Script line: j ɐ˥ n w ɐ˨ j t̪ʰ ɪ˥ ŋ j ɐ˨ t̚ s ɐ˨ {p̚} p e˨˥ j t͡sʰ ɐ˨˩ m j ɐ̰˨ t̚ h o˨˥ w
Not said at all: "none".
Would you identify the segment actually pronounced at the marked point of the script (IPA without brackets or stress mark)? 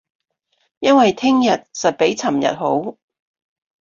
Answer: t̚